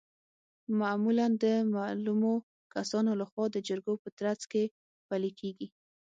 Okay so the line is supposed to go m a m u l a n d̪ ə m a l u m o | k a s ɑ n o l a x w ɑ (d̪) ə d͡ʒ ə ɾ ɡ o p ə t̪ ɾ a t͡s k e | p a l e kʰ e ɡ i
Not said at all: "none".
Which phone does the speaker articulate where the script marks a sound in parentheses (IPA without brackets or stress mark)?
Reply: d̪